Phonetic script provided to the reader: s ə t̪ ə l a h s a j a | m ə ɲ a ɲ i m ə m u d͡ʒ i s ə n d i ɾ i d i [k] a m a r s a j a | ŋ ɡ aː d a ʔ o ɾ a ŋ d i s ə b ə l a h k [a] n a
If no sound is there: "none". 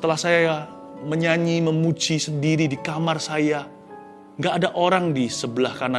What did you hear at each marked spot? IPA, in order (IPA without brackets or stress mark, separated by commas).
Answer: k, a